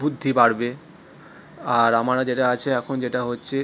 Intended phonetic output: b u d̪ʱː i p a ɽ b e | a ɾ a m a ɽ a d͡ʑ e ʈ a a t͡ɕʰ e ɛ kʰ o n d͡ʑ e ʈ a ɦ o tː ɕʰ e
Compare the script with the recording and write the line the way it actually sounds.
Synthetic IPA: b u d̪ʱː i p a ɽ b e | a ɾ a m a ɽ a d͡ʑ e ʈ a a t͡ɕʰ e ɛ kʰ o n d͡ʑ e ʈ a ɦ o tː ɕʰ e